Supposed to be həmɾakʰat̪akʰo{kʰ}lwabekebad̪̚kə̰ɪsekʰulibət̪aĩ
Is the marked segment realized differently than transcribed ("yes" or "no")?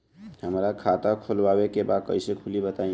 yes